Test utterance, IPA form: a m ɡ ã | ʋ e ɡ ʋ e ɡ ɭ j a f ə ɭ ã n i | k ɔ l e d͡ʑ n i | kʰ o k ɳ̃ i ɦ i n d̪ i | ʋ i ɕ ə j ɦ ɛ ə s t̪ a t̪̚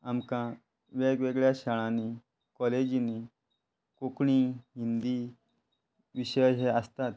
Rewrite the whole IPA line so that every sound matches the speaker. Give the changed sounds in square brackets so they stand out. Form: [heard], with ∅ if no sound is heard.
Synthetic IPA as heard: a m [k] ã | ʋ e ɡ ʋ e ɡ ɭ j a [ɕ] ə ɭ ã n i | k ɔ l e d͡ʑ n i | [k] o k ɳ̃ i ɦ i n d̪ i | ʋ i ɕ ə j ɦ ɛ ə s t̪ a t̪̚